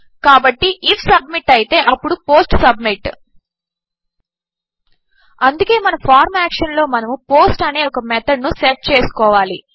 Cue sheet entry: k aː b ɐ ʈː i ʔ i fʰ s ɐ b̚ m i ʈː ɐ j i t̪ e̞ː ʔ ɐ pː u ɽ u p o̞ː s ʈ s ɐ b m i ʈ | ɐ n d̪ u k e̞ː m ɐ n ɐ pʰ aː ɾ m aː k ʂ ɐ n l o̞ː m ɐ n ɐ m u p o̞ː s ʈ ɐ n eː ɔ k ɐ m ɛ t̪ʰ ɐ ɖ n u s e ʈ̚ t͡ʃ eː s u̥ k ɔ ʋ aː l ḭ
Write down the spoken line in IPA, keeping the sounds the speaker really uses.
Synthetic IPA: k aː b ɐ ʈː i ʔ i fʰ s ɐ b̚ m i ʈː ɐ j i t̪ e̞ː ʔ ɐ pː u ɽ u p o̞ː s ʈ s ɐ b m i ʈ | ɐ n d̪ u k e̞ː m ɐ n ɐ pʰ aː ɾ m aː k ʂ ɐ n l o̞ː m ɐ n ɐ m u p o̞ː s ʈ ɐ n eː ɔ k ɐ m ɛ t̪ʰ ɐ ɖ n u s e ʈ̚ t͡ʃ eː s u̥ k ɔː ʋ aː l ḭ

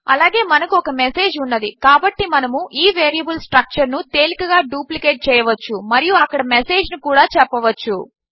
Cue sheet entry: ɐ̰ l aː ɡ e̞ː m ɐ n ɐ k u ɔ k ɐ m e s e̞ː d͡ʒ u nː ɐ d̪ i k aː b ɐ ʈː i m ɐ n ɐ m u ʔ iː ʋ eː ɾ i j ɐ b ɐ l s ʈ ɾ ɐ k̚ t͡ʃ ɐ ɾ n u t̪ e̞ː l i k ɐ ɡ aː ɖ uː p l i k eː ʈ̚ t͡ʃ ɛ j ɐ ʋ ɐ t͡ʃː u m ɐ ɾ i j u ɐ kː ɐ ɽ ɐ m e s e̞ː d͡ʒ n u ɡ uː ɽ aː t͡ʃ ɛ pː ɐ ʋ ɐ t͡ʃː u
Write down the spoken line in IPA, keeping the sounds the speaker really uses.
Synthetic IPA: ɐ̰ l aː ɡ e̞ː m ɐ n ɐ k u ɔ k ɐ m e s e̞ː d͡ʒ u nː ɐ d̪ i k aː b ɐ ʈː i m ɐ n ɐ m u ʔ iː ʋ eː ɾ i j ɐ b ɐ l s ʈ ɾ ɐ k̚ t͡ʃ ɐ ɾ n u t̪ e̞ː l i k ɐ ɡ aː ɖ uː p l i k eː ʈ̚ t͡ʃ ɛː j ɐ ʋ ɐ t͡ʃː u m ɐ ɾ i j u ɐ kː ɐ ɽ ɐ m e s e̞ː d͡ʒ n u k uː ɽ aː t͡ʃ ɛ pː ɐ ʋ ɐ t͡ʃː u

